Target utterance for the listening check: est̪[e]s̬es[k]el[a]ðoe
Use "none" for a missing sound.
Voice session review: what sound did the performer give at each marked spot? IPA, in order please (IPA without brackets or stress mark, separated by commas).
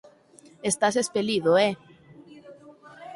a, p, i